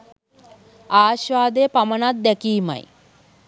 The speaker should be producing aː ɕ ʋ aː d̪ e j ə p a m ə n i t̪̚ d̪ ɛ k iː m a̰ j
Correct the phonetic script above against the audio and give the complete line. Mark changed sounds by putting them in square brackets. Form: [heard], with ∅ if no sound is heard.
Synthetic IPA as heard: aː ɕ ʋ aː d̪ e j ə p a m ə n [a] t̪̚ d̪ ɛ k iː m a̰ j